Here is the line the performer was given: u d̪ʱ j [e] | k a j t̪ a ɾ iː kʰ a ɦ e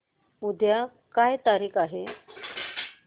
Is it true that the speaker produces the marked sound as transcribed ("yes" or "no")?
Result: no